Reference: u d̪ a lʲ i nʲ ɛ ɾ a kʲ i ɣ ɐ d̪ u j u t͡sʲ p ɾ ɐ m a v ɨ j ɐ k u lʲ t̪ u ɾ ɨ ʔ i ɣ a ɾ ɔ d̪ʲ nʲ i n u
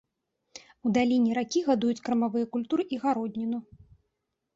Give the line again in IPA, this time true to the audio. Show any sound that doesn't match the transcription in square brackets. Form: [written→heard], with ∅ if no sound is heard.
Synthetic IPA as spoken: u d̪ a lʲ i nʲ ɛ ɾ a kʲ i ɣ [ɐ→a] d̪ u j u t͡sʲ [p→k] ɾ ɐ m a v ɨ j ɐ k u lʲ t̪ u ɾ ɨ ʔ i ɣ a ɾ ɔ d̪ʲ nʲ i n u